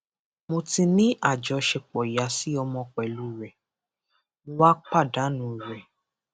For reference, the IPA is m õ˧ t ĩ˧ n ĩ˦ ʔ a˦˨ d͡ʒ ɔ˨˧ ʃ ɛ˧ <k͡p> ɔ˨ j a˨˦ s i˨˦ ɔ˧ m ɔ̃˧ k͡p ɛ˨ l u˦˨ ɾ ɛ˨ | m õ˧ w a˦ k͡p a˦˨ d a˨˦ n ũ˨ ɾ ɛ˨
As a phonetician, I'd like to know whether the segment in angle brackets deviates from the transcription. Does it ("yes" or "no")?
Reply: no